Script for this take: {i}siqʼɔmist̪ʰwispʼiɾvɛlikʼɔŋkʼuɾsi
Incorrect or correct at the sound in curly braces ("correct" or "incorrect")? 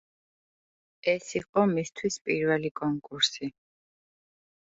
incorrect